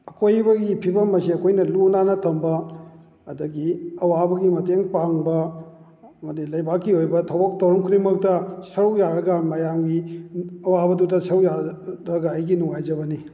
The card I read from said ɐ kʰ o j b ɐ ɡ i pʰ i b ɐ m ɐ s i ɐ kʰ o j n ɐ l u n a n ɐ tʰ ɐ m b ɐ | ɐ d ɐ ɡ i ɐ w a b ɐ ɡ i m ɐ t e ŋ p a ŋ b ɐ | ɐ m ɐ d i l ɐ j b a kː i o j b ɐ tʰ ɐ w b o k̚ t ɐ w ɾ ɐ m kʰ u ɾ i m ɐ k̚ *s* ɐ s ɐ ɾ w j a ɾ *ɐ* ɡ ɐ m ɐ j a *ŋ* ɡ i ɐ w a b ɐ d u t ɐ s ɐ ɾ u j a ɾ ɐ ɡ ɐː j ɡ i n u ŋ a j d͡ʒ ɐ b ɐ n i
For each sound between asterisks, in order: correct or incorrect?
incorrect, correct, incorrect

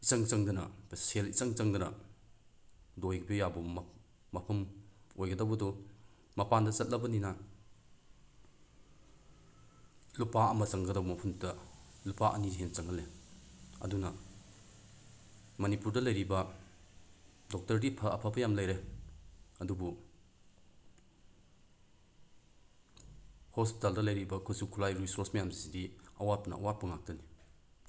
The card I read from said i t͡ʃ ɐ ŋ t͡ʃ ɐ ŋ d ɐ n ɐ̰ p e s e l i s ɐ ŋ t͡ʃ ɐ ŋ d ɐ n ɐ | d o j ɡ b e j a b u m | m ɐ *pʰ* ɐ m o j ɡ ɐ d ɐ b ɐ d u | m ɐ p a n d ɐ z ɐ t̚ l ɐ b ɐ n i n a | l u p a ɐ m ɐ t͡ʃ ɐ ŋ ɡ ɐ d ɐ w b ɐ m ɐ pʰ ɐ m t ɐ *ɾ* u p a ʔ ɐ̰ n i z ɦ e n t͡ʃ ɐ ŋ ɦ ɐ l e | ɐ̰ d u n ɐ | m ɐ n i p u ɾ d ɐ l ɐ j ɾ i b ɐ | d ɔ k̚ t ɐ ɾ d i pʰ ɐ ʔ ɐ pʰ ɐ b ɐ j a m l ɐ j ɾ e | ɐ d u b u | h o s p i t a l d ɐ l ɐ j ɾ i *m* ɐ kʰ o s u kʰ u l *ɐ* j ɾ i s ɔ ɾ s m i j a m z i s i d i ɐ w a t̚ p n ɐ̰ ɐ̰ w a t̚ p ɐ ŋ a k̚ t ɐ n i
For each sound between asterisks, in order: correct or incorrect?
correct, incorrect, incorrect, incorrect

